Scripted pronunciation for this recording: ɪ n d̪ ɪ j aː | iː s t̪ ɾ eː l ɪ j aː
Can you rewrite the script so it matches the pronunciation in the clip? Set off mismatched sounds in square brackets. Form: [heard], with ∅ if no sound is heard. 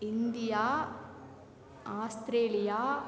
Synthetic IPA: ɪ n d̪ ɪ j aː | [aː] s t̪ ɾ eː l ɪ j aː